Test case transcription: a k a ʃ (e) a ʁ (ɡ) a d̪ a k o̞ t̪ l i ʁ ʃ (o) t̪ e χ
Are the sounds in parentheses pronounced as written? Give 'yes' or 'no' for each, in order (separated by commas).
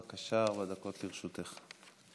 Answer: no, no, no